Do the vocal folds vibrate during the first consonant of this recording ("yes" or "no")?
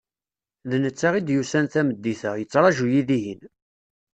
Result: yes